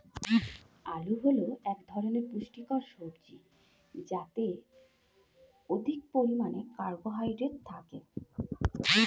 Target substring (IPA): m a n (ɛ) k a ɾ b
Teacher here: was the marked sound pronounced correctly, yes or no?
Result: no